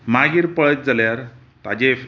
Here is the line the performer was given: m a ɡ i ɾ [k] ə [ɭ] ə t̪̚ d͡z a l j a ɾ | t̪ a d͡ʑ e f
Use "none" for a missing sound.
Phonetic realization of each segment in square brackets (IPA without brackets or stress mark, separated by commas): p, ɭ